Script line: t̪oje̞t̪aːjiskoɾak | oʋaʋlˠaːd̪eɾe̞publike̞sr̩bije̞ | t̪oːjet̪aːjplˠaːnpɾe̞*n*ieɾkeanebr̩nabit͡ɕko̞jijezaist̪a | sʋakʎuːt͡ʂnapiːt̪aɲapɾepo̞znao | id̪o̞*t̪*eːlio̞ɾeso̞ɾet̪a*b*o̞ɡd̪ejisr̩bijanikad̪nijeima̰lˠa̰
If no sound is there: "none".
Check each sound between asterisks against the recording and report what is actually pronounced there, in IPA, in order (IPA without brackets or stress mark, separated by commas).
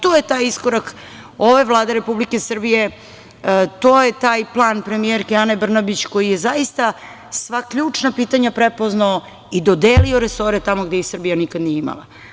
m, d̪, m